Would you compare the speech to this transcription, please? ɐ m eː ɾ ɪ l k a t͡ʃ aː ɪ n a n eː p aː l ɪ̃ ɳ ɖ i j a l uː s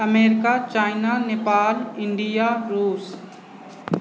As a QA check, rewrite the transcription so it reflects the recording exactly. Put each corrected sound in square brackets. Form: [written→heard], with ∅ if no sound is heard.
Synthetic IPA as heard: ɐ m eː ɾ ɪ [l→∅] k a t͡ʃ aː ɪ n a n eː p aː l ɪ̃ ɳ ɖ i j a [l→ɾ] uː s